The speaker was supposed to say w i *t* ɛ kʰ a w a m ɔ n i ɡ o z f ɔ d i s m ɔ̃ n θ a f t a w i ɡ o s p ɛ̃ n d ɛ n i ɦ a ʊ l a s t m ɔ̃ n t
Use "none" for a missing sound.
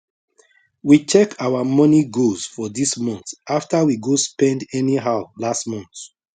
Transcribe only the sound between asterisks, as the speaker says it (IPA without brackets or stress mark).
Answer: t͡ʃ